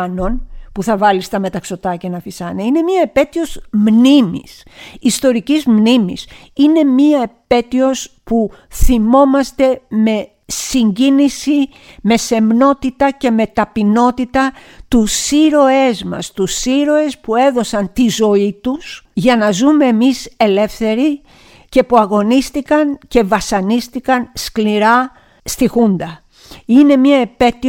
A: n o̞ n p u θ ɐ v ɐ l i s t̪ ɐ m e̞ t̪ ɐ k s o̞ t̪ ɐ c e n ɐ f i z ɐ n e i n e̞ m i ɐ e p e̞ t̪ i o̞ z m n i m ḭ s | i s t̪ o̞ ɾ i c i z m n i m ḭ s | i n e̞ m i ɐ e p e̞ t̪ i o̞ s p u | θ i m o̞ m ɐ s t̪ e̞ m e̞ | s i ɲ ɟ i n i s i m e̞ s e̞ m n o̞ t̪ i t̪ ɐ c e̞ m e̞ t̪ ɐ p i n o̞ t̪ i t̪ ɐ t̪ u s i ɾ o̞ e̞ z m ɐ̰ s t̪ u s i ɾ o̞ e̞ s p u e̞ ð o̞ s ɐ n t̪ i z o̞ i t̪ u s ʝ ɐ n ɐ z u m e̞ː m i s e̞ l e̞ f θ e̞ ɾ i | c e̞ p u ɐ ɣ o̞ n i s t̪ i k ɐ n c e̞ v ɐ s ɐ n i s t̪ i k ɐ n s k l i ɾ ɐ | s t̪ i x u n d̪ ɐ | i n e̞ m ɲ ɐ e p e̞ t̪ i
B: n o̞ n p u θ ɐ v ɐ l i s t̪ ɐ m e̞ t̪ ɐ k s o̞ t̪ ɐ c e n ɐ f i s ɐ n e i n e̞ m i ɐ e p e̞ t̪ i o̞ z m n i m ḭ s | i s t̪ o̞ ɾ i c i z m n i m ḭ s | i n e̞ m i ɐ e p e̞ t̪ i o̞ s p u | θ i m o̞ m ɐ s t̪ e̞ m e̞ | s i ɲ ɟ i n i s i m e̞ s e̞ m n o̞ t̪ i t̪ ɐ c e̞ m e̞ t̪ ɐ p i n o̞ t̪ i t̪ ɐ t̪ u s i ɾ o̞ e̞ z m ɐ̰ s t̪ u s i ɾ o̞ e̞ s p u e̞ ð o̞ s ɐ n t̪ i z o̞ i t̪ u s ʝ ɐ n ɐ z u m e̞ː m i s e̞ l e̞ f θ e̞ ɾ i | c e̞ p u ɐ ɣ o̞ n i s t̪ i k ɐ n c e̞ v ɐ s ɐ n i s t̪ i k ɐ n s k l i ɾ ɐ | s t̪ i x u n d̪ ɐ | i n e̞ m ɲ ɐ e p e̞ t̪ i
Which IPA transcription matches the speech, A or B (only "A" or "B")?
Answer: B